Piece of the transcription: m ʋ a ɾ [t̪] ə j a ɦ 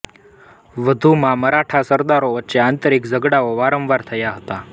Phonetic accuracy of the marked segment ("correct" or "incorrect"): incorrect